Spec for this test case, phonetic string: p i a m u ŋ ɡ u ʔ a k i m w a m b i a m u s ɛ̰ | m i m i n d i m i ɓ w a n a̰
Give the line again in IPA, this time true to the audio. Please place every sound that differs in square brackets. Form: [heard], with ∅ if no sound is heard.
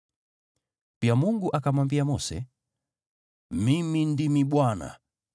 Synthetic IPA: p i a m u ŋ ɡ u ʔ a k [a] m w a m b i a m [ɔ] s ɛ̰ | m i m i n d i m i ɓ w a n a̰